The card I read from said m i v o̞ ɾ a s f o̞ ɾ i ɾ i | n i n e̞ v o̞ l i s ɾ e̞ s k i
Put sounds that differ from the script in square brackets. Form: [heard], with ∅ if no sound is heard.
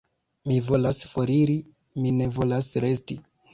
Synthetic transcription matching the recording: m i v o̞ [l] a s f o̞ ɾ i ɾ i | [m] i n e̞ v o̞ l [a] s ɾ e̞ s [t] i